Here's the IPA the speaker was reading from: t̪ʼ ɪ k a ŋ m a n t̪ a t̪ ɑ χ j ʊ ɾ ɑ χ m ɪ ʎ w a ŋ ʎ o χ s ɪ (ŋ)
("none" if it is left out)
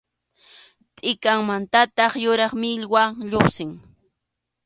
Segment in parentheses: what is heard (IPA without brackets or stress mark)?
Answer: ŋ